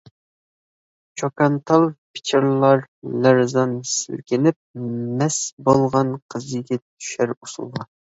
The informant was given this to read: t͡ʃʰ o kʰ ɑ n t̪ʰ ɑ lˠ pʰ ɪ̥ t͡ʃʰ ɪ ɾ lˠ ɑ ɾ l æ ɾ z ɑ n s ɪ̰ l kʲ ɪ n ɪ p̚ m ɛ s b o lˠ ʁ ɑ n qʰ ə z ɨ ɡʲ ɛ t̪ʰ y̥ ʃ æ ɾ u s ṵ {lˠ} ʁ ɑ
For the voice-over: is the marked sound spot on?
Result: yes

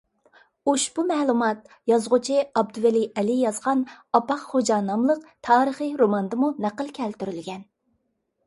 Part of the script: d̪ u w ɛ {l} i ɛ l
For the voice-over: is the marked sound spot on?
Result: yes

